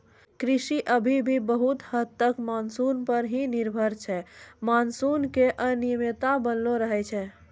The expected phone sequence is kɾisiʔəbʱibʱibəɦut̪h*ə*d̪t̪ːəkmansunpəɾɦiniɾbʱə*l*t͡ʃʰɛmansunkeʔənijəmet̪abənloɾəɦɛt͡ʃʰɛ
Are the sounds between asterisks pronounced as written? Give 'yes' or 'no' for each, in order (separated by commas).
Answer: yes, no